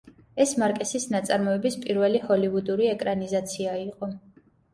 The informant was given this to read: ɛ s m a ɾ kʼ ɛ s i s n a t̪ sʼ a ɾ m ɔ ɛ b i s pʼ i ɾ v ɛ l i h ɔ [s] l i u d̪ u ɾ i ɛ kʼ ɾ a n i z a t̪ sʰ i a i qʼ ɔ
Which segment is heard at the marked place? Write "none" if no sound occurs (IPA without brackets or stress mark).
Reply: none